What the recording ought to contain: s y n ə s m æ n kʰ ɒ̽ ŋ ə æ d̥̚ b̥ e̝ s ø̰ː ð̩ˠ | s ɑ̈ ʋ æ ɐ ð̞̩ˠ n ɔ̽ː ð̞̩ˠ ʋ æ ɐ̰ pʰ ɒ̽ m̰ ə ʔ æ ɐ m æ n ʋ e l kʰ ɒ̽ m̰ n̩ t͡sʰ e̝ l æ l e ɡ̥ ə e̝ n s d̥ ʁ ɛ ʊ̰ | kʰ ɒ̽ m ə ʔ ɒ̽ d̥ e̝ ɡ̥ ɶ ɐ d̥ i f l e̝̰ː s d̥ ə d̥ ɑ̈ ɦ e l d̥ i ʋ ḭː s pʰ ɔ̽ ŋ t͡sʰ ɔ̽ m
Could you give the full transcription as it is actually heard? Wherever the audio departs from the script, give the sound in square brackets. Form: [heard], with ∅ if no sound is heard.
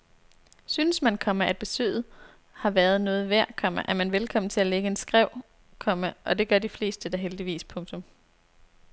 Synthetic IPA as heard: s y n ə s m æ n kʰ ɒ̽ [m] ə æ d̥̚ b̥ e̝ s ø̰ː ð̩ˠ | [h] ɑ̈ ʋ æ ɐ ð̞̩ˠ n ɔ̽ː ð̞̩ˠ ʋ æ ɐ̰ [kʰ] ɒ̽ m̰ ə ʔ æ ɐ m æ n ʋ e l kʰ ɒ̽ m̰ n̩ t͡sʰ e̝ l æ l e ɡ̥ ə e̝ n s [ɡ̥] ʁ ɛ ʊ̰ | kʰ ɒ̽ m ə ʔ ɒ̽ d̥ e̝ ɡ̥ ɶ ɐ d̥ i f l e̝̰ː s d̥ ə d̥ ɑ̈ ɦ e l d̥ i ʋ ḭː s pʰ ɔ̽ ŋ t͡sʰ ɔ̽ m